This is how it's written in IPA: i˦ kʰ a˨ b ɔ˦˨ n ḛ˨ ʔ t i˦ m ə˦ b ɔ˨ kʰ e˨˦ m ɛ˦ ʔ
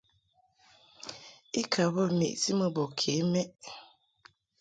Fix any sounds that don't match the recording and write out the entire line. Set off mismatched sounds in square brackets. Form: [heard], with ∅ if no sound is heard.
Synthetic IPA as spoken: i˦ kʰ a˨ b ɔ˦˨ [m] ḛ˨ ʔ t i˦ m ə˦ b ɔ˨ kʰ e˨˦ m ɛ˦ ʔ

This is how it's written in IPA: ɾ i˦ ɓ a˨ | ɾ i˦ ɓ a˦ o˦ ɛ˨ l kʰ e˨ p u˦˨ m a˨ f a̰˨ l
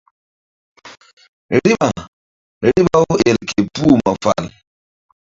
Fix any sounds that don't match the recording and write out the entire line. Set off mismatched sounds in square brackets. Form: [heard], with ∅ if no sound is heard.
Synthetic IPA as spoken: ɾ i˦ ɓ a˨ | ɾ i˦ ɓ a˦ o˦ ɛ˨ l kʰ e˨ p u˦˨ m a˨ f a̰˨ l

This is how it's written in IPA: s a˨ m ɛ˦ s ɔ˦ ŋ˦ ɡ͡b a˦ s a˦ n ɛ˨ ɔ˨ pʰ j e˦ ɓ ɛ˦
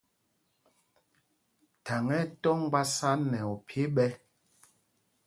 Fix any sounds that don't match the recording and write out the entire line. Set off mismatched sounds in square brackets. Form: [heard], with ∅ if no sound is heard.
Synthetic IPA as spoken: [t] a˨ [ŋ] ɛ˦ [t] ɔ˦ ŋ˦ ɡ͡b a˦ s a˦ n ɛ˨ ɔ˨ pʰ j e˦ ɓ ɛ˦

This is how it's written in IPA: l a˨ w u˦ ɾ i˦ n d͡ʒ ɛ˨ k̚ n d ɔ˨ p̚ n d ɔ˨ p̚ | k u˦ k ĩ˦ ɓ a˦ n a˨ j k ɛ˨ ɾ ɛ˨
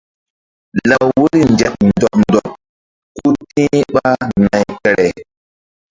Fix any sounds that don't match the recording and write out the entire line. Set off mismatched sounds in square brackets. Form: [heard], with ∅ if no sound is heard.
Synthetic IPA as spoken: l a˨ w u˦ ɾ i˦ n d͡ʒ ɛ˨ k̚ n d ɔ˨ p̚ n d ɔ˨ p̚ | k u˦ [t] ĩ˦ ɓ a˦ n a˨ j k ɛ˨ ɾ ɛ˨

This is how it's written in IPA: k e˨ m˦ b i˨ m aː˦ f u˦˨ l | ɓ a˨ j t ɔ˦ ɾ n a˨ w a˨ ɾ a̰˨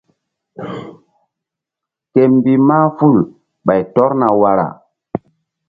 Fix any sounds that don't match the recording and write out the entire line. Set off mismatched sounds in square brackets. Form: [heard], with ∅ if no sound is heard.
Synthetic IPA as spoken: k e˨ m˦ b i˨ m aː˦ f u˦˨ l | ɓ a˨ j t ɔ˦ ɾ n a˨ w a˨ ɾ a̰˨

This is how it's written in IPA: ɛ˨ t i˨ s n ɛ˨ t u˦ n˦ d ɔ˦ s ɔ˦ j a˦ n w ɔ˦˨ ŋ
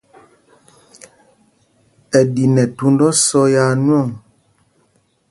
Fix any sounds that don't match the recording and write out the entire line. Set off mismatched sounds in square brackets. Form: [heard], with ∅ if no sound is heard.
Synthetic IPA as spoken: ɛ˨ [d] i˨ [∅] n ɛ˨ t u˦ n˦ d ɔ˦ s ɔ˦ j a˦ n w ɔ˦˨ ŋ

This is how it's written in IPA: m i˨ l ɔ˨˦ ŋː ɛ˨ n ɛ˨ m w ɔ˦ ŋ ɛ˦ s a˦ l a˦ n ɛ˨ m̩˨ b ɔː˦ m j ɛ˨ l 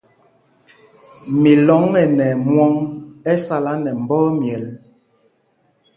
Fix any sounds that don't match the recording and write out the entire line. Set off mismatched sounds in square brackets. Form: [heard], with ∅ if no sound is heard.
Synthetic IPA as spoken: m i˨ l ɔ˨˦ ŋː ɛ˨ n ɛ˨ m w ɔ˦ ŋ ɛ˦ s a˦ l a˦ n ɛ˨ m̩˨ b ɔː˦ m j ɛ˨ l

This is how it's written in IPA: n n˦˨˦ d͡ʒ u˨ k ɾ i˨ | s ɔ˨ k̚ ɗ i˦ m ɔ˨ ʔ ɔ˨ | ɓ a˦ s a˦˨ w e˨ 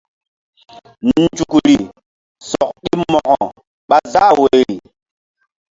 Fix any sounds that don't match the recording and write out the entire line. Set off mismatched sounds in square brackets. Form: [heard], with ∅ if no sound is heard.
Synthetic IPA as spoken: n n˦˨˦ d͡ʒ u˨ k ɾ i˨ | s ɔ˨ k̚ ɗ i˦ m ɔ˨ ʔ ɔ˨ | ɓ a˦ [z] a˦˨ w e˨

